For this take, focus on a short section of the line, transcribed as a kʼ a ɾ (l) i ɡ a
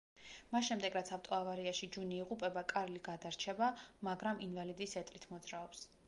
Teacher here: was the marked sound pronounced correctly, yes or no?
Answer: yes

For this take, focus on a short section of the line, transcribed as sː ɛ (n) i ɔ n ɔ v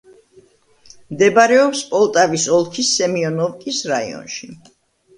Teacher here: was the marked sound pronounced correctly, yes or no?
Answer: no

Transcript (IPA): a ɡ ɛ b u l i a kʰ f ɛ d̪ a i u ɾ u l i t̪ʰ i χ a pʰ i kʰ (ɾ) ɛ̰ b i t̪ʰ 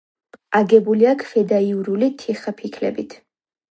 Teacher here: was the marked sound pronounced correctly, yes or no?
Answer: no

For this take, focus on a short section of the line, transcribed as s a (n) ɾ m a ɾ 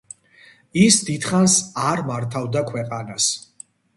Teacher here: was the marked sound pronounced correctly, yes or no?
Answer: no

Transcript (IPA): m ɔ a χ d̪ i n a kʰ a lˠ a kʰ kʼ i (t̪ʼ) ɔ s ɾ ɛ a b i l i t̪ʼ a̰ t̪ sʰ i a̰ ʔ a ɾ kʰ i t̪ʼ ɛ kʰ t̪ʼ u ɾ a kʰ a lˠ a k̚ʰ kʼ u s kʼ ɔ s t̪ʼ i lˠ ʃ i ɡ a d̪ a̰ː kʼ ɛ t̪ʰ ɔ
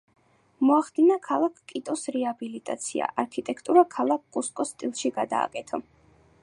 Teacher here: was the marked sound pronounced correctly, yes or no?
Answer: yes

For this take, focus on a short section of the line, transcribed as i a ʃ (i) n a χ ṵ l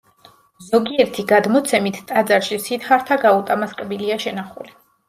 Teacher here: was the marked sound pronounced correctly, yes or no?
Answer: no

